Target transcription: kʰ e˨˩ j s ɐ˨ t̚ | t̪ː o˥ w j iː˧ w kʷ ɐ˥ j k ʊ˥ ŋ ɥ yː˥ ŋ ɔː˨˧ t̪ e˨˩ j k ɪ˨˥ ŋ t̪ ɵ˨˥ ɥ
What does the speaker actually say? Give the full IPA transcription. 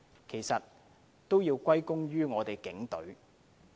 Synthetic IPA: kʰ e˨˩ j s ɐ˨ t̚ | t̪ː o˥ w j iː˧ w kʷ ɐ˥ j k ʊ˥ ŋ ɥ yː˥ ŋ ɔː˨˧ t̪ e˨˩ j k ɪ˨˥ ŋ t̪ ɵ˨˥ ɥ

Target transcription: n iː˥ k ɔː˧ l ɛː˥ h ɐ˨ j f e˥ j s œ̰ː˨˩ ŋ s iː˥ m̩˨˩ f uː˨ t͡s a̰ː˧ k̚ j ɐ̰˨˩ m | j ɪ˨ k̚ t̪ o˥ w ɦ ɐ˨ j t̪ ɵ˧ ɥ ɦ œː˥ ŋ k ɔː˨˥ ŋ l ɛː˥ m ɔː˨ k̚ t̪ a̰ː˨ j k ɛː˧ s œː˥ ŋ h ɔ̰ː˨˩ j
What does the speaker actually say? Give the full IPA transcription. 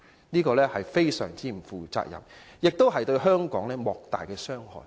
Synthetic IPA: n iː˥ k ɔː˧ l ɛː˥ h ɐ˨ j f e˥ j s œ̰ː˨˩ ŋ t͡s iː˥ m̩˨˩ f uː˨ t͡s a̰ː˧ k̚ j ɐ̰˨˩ m | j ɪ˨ k̚ t̪ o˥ w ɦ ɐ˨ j t̪ ɵ˧ ɥ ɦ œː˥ ŋ k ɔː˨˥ ŋ l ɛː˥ m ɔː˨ k̚ t̪ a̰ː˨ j k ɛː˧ s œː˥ ŋ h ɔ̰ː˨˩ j

